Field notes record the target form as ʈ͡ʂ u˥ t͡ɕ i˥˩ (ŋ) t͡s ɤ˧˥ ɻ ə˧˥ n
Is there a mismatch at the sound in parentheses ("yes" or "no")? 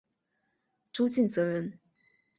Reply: yes